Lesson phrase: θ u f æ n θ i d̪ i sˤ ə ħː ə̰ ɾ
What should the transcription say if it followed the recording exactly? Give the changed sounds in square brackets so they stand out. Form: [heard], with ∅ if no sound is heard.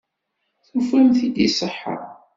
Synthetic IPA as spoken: θ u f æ [m] θ i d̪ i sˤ ə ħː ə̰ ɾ